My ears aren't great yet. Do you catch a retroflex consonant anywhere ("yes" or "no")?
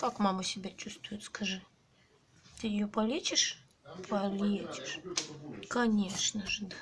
yes